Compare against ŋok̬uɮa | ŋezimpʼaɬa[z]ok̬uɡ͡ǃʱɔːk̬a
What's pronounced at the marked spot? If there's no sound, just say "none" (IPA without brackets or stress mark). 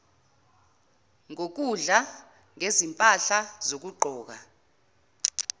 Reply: z